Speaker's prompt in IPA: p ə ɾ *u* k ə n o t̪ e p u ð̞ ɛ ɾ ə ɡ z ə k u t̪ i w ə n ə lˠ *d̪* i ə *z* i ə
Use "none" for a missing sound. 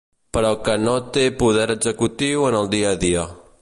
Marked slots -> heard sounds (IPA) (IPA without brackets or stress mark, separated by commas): ɔ, d̪, ð